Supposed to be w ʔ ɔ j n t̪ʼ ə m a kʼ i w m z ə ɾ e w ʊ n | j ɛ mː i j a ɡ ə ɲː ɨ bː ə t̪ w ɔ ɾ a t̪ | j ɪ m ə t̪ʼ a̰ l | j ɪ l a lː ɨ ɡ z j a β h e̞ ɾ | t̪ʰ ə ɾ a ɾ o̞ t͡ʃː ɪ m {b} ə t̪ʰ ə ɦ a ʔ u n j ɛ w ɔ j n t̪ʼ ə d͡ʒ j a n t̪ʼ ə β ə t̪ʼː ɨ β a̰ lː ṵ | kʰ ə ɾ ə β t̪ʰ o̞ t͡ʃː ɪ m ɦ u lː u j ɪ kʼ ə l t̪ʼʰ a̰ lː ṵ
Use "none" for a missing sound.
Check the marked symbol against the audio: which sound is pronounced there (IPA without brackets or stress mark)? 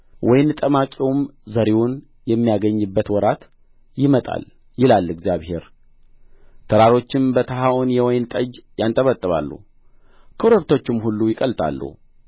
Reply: b